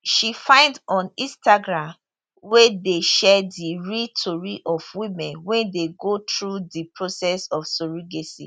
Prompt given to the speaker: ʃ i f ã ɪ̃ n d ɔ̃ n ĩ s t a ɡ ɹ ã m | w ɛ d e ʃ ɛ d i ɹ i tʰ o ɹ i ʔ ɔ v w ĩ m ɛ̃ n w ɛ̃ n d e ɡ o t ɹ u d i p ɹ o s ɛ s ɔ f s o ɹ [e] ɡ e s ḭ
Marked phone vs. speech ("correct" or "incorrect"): incorrect